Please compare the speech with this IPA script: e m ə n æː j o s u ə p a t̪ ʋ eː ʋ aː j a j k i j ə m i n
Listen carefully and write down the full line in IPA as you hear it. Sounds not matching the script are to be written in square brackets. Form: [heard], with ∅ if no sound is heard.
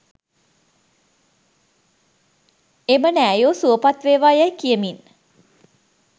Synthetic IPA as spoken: e m ə n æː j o s u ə p a t̪ ʋ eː ʋ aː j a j k i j ə m i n